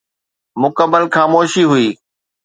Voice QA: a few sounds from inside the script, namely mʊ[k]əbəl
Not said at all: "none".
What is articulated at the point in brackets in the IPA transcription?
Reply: k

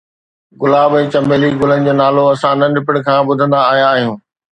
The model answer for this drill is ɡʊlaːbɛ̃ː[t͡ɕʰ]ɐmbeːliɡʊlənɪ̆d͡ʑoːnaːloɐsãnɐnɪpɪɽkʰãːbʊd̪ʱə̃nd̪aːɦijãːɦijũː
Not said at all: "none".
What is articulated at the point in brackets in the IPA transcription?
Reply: t͡ɕ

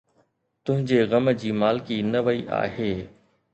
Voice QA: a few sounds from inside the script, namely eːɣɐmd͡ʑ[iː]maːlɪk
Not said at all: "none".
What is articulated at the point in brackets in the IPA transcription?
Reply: iː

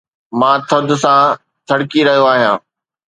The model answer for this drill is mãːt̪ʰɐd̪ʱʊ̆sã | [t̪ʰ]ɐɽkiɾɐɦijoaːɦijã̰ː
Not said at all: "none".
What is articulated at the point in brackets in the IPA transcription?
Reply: t̪ʰ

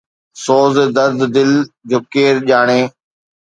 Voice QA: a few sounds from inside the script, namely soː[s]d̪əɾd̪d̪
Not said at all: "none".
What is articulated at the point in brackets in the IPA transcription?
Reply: z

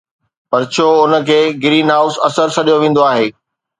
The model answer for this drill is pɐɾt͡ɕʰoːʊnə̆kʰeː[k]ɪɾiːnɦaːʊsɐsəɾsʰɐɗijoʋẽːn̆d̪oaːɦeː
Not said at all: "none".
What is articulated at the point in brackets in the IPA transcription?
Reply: ɡ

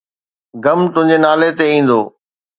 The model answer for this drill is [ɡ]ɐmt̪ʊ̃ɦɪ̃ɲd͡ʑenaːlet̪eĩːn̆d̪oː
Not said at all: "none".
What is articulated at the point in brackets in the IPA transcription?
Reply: ɡ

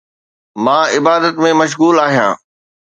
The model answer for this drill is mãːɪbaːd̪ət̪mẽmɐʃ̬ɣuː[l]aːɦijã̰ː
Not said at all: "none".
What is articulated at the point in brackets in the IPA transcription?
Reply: l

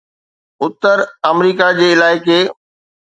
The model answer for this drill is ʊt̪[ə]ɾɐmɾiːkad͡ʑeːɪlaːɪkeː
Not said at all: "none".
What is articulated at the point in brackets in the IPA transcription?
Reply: ə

